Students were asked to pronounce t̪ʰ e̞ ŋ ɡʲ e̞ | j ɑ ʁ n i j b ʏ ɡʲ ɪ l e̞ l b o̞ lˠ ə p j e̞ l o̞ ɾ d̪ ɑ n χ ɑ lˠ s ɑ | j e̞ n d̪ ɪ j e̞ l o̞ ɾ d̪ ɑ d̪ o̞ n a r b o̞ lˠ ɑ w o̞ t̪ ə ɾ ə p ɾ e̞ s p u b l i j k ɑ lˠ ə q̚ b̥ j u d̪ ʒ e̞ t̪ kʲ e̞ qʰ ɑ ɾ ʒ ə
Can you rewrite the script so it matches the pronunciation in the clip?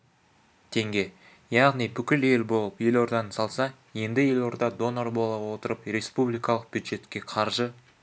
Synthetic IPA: t̪ʰ e̞ ŋ ɡʲ e̞ | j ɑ ʁ n i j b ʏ kʲ ɪ l e̞ l b o̞ lˠ ə p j e̞ l o̞ ɾ d̪ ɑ n s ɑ lˠ s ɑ | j e̞ n d̪ ɪ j e̞ l o̞ ɾ d̪ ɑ d̪ o̞ n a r b o̞ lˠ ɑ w o̞ t̪ ə ɾ ə p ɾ e̞ s p u b l i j k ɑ lˠ ə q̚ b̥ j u d̪ ʒ e̞ t̪ kʲ e̞ qʰ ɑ ɾ ʒ ə